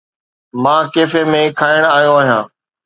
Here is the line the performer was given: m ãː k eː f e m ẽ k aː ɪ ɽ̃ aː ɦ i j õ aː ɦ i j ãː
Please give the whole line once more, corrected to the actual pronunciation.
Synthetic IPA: m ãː k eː f e m ẽ kʰ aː ɪ ɽ̃ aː ɦ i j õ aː ɦ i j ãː